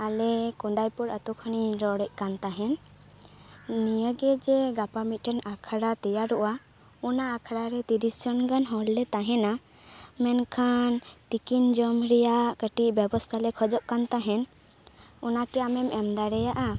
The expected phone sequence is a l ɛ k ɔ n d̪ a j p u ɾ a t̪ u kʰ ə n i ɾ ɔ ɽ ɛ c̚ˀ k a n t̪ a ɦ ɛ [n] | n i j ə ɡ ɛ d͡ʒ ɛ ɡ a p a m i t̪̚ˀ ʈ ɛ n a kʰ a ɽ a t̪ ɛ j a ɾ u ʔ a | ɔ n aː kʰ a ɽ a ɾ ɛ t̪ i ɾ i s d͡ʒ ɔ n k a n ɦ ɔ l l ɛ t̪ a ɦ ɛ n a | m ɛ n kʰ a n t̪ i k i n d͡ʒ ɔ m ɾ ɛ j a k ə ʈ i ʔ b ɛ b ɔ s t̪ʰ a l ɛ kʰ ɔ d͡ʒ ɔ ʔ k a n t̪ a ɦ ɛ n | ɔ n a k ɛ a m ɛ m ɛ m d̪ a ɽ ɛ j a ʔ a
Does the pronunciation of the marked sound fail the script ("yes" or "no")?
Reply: no